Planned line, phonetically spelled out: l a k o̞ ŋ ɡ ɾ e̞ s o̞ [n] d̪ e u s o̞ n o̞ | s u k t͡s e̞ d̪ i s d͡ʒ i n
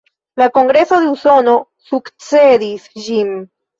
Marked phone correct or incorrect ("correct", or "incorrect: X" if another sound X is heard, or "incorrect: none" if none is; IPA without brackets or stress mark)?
incorrect: none